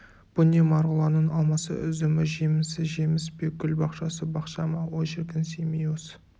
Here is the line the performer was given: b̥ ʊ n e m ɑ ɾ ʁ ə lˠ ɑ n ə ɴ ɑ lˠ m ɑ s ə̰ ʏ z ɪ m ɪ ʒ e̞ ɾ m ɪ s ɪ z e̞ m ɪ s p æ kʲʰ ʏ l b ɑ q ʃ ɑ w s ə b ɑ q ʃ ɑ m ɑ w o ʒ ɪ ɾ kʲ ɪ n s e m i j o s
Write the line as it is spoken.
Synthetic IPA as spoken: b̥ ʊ n e m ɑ ɾ ʁ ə lˠ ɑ n ə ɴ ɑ lˠ m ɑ s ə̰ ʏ z ɪ m ɪ ʒ e̞ m ɪ s ɪ ʒ e̞ m ɪ s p e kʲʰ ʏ l b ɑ q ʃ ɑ s ə b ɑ q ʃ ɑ m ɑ w o ʒ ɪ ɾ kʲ ɪ n s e m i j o s